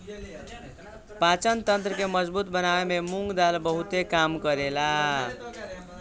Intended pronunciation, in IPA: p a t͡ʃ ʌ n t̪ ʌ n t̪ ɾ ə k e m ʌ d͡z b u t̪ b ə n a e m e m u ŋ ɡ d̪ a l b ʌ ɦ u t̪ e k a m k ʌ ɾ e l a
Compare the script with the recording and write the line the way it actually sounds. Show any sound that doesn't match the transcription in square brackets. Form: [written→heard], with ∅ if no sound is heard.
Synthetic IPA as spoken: p a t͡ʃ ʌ n t̪ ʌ n t̪ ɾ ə k e m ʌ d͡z b u t̪ b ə n a e m e m u ŋ ɡ d̪ a l b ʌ ɦ u t̪ e k a m k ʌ ɾ e l a